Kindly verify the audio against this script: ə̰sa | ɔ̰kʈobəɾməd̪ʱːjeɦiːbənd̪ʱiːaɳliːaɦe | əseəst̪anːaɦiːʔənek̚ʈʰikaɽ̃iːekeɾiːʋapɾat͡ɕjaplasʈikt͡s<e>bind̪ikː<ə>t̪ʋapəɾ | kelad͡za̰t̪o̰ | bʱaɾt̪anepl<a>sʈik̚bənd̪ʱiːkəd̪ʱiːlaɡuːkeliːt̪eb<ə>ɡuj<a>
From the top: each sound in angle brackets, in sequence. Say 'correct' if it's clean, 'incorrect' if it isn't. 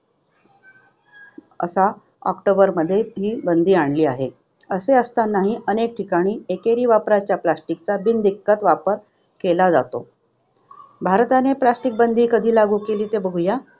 incorrect: a, correct, correct, correct, correct

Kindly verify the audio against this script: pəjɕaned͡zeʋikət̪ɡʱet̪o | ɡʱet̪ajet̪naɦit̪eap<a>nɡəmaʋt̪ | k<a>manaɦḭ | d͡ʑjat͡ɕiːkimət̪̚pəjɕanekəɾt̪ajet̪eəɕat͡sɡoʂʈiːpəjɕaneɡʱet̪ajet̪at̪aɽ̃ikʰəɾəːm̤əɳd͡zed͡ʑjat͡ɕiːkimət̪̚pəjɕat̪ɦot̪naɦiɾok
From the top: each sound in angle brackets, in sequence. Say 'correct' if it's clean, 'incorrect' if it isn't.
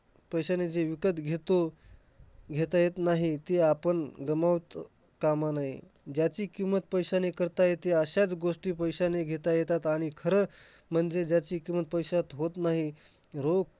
incorrect: ə, correct

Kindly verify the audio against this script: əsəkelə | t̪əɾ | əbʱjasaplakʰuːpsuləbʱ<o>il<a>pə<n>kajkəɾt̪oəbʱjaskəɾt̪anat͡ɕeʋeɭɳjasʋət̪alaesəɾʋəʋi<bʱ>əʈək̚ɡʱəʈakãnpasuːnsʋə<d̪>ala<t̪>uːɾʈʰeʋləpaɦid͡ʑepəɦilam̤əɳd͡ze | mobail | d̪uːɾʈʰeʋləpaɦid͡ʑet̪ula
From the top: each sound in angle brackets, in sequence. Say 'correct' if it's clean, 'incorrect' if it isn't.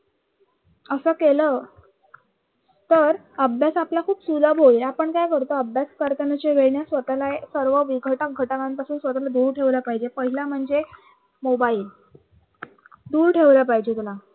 correct, correct, incorrect: ɳ, incorrect: ɡʱ, incorrect: t̪, incorrect: d̪

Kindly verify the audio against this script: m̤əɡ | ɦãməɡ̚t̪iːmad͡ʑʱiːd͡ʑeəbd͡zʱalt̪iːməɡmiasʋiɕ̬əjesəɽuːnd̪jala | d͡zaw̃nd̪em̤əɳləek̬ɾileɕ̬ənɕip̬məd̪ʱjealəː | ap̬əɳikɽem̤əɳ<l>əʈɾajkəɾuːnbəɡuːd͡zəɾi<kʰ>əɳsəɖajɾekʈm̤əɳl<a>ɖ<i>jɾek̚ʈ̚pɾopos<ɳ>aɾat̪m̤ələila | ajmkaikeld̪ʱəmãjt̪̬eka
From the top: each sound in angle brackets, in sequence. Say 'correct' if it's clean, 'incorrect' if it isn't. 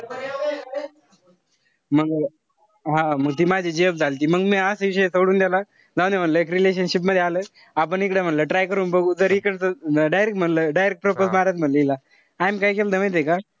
correct, incorrect: k, incorrect: ə, incorrect: a, incorrect: m

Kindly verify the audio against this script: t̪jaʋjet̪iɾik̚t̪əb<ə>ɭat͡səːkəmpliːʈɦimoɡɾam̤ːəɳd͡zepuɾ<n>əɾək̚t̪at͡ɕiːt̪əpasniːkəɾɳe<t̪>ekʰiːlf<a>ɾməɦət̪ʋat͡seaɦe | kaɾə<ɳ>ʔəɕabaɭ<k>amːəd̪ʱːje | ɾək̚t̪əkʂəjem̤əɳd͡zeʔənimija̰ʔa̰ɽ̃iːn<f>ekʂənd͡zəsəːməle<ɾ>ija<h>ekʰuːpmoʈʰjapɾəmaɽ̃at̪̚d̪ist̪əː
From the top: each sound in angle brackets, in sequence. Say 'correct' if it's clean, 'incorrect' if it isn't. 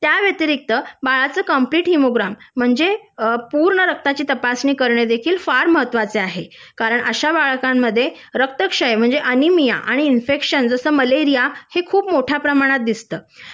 incorrect: a, incorrect: ɳ, incorrect: d̪, correct, correct, correct, correct, correct, correct

